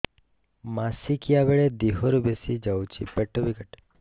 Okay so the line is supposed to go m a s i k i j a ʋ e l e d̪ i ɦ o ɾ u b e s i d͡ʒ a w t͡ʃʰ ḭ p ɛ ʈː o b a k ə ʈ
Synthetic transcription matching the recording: m a s i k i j a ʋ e ɭ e d̪ i ɦ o ɾ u b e s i d͡ʒ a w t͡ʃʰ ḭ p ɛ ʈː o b i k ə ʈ